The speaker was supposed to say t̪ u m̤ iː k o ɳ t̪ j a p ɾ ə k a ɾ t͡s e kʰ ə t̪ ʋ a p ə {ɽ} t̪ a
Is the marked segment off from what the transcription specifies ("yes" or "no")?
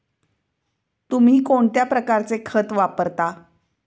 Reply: yes